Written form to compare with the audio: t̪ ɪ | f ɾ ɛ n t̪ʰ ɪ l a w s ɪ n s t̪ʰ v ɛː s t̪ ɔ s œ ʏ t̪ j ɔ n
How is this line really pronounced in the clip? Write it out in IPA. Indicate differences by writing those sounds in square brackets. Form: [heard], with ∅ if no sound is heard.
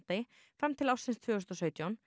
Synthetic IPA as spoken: t̪ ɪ | f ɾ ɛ [m] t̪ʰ ɪ l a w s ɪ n s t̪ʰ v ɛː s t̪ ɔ s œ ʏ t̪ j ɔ n